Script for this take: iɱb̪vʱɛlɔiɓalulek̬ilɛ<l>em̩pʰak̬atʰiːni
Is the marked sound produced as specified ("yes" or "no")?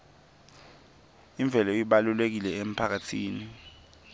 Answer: no